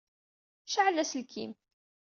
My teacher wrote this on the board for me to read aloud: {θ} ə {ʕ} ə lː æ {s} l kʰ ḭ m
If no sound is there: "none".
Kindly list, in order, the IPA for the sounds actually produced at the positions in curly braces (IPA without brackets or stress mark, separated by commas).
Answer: ʃ, ʕ, s